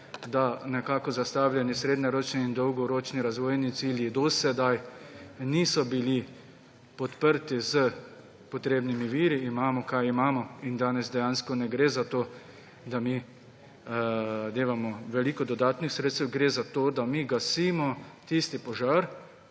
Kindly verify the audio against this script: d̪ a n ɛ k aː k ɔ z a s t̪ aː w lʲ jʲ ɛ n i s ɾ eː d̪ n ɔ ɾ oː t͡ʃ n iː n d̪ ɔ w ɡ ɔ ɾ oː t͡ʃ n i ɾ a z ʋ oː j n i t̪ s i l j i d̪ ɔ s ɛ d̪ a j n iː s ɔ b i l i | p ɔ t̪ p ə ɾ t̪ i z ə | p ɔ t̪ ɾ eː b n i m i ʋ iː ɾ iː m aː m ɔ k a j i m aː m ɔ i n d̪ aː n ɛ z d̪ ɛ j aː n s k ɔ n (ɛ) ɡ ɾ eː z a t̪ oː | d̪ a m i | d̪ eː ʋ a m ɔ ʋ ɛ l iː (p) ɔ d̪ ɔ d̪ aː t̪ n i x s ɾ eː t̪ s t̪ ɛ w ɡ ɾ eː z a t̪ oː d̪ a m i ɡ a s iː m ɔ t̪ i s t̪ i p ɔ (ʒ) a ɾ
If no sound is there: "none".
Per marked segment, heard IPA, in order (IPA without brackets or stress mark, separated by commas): ɛ, k, ʒ